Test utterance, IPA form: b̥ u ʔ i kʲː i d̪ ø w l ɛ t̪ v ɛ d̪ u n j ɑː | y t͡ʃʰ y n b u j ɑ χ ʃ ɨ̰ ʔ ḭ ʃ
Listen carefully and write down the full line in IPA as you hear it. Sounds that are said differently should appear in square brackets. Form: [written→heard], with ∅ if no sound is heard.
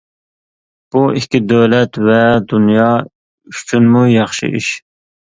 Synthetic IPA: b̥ u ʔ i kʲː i d̪ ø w l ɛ t̪ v ɛ d̪ u n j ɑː | y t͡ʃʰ y n [b→m] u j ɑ χ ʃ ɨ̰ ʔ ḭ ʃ